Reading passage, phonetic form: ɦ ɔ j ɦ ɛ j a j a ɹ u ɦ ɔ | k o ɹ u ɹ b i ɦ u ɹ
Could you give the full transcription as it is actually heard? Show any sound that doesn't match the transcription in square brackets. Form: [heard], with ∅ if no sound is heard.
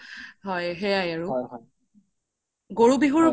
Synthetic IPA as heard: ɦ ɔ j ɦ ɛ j a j a ɹ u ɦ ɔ | [ɡ] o ɹ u [∅] b i ɦ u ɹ